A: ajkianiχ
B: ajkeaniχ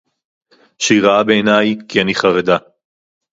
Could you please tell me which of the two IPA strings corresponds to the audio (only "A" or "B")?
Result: A